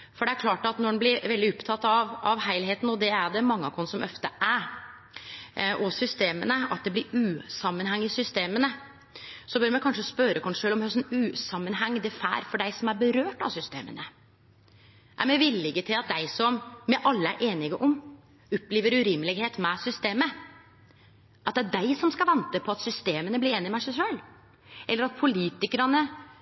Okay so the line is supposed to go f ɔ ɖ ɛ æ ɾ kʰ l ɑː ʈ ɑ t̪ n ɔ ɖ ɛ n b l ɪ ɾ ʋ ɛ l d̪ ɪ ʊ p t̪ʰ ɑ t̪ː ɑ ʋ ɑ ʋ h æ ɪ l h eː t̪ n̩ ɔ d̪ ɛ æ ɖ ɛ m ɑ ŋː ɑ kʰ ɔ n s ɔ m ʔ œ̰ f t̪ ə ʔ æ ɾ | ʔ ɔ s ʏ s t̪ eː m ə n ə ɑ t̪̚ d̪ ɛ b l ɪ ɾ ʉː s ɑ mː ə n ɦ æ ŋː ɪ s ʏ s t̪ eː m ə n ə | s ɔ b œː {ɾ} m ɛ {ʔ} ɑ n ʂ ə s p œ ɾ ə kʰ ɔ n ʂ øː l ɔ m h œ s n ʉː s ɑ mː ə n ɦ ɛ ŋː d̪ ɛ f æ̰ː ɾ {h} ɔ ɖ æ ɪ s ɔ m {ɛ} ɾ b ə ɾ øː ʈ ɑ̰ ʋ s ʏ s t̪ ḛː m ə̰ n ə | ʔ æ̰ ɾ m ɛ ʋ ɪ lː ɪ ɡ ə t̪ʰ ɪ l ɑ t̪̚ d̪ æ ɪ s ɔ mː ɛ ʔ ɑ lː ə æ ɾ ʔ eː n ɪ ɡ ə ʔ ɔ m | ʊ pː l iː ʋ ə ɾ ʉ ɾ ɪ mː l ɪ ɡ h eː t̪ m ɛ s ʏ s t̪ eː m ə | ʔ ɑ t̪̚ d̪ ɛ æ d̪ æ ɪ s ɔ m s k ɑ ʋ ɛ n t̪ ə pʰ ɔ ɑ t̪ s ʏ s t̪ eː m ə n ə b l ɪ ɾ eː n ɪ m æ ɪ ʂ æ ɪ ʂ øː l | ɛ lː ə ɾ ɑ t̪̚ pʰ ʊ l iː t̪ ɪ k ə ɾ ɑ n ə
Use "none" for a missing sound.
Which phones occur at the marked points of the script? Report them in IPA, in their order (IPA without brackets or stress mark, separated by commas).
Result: ɾ, k, f, æ